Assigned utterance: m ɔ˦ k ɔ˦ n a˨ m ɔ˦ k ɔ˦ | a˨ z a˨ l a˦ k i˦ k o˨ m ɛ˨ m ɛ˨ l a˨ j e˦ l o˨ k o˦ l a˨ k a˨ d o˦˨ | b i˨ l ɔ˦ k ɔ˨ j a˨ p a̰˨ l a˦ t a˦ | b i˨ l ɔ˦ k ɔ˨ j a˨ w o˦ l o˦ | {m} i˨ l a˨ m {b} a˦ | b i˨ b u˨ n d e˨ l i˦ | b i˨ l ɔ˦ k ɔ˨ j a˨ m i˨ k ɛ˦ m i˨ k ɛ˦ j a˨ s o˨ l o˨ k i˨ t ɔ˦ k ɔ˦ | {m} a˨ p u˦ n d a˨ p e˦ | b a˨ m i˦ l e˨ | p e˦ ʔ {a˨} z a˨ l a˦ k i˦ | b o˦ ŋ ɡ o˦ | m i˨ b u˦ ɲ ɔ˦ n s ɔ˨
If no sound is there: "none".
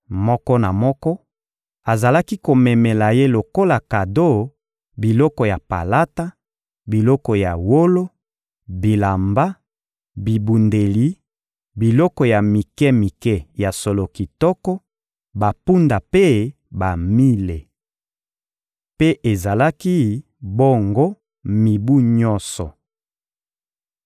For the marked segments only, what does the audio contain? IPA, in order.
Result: b, b, b, e˨

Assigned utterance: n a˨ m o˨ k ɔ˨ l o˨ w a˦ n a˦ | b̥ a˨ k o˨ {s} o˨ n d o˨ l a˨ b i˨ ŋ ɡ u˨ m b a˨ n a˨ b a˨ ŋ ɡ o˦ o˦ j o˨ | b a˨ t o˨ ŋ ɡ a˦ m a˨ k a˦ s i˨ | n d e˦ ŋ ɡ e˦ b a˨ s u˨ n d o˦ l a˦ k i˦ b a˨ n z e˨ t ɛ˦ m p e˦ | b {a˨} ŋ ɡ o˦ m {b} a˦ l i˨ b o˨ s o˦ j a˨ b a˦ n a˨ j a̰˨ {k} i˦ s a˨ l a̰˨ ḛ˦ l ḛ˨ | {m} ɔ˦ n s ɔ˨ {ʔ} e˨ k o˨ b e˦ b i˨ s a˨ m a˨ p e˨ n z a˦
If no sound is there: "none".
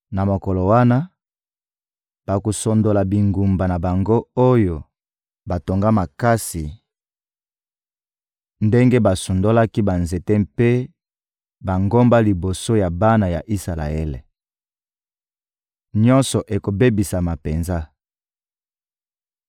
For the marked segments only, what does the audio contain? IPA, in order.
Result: s, a˨, b, ʔ, ɲ, ʔ

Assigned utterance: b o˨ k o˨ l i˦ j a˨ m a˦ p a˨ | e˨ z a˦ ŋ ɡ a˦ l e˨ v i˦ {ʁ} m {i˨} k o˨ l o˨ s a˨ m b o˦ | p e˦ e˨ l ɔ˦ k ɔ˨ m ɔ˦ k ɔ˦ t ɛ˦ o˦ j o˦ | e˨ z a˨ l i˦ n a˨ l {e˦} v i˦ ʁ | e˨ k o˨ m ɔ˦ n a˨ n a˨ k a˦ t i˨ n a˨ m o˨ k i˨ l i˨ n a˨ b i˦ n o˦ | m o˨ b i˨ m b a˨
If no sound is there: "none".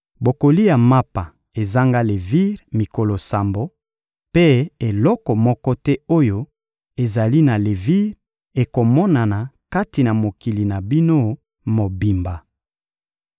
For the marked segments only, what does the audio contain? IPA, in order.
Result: ʁ, i˨, e˨

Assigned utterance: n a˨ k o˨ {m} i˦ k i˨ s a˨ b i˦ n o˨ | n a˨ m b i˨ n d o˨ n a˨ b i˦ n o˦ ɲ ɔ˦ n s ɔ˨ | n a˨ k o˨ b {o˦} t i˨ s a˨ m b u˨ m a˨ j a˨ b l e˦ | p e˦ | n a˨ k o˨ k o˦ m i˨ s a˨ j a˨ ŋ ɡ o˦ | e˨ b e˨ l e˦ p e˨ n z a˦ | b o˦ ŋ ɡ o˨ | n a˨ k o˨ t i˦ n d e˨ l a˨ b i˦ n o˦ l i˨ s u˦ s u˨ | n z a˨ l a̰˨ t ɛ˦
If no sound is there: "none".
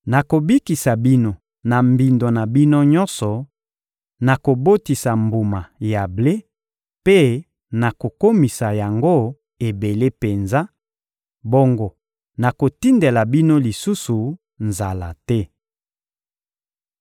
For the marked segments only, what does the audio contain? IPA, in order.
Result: b, o˦

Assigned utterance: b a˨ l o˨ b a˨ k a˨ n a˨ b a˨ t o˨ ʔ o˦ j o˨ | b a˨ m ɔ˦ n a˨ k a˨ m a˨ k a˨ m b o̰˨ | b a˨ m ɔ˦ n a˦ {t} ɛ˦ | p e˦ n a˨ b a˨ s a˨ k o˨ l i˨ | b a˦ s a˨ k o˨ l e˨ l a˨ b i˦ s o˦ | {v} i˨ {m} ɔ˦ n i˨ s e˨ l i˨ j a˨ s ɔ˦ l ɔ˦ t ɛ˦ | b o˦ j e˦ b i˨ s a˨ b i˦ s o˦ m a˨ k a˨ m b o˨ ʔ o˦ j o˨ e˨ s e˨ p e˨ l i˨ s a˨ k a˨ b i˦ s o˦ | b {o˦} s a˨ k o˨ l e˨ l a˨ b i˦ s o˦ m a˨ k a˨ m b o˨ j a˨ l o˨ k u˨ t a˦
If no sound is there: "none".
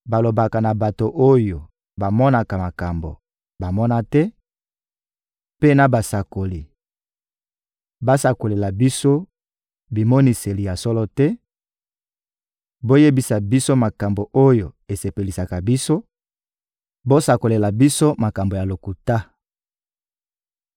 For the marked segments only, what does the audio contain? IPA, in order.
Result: t, b, m, o˦

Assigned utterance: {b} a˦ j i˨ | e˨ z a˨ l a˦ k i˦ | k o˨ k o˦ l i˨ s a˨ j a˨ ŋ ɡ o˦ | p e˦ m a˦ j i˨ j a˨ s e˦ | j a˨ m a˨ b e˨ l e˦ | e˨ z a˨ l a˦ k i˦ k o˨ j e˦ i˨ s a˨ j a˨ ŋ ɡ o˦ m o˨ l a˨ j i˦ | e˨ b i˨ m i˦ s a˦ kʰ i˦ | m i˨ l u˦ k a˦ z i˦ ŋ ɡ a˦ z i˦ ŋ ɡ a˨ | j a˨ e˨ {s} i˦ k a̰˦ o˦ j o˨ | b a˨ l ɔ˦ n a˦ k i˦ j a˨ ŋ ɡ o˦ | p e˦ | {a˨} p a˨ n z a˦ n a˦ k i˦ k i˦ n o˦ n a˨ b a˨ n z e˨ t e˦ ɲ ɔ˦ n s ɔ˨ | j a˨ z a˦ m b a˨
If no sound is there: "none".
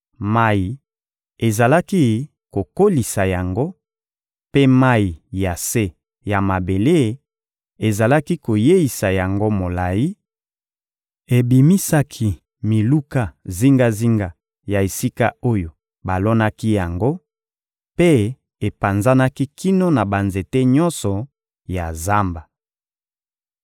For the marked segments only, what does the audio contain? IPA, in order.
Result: m, s, e˨

